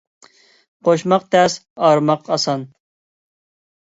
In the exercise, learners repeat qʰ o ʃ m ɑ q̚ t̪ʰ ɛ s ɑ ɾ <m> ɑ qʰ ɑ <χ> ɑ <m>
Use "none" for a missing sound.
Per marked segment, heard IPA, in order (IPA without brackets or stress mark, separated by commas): m, s, n